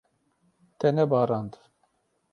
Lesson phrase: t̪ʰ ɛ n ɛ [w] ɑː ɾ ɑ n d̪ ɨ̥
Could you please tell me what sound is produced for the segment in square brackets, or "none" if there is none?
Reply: b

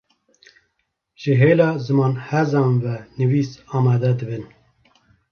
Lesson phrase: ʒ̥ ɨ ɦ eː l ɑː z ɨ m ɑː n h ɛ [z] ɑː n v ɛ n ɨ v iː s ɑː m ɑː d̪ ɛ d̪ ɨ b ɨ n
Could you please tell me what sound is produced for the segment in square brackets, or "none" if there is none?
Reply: z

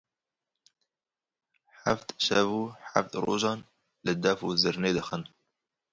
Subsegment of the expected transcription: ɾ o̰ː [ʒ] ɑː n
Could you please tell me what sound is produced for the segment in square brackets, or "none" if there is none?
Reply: ʒ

